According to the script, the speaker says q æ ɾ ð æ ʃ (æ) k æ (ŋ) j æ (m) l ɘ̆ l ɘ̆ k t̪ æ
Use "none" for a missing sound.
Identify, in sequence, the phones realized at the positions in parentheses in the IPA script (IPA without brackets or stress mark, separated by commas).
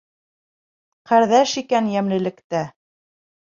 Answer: i, n, m